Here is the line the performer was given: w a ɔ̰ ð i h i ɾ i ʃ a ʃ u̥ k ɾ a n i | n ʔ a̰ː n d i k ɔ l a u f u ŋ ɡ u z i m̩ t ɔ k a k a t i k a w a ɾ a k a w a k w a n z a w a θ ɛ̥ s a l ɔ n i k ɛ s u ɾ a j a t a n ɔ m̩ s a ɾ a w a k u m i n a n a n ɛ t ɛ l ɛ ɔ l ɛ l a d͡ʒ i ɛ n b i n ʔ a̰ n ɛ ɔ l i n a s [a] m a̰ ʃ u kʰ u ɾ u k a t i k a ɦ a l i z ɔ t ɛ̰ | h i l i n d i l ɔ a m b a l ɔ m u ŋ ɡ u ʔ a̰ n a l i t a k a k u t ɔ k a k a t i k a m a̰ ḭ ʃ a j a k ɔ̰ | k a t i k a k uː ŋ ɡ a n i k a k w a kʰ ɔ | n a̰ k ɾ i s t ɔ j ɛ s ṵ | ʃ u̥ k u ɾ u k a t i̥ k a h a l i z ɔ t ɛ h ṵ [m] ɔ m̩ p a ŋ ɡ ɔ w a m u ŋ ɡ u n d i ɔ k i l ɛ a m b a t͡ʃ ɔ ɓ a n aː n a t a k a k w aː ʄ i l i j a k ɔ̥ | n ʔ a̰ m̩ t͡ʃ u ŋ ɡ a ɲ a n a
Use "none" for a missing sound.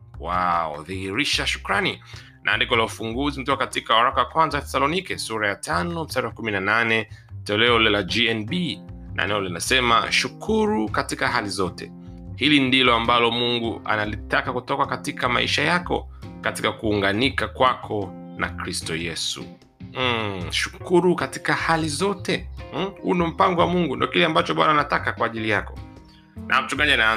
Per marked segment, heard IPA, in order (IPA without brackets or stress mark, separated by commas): ɛ, n